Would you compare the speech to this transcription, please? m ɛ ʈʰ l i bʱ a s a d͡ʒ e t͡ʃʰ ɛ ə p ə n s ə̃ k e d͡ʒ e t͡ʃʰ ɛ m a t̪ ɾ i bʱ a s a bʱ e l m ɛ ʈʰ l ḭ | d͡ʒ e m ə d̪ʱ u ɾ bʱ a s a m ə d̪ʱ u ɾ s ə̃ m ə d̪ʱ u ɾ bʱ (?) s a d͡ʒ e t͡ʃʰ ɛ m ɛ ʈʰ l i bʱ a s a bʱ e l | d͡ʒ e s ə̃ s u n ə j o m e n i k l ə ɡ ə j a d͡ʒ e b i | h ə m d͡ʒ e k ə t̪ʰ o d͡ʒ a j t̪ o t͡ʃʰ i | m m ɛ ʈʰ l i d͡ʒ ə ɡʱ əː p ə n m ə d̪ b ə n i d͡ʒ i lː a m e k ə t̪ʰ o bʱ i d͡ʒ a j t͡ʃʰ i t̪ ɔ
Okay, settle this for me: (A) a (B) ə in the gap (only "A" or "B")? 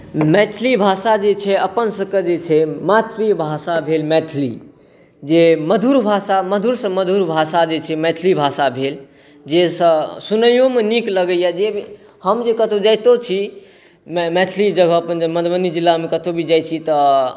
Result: A